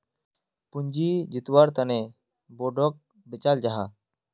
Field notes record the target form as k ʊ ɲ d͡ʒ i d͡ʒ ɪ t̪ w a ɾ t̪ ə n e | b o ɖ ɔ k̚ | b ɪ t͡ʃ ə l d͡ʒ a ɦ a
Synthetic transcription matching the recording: p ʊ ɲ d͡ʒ i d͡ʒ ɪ t̪ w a ɾ t̪ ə n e | b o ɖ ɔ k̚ | b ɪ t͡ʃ a l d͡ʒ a ɦ a